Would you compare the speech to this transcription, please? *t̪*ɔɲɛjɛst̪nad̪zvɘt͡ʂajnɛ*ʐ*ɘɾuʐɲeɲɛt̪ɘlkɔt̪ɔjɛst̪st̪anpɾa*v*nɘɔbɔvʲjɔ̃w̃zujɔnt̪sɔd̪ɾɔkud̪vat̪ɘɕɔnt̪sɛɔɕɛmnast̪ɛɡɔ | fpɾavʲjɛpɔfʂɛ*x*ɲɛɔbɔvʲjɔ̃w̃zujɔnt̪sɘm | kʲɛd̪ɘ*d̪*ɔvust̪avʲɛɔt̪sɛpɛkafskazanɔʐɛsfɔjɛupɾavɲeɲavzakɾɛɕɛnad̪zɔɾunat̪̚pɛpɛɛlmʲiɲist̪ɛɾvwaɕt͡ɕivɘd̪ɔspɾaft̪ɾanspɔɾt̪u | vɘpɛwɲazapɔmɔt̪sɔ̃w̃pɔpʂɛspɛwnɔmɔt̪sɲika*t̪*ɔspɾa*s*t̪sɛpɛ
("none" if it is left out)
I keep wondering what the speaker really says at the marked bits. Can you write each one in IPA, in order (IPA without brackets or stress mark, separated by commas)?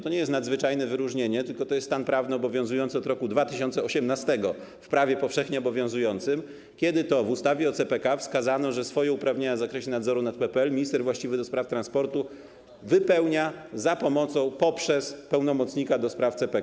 t̪, v, v, x, t̪, d̪, f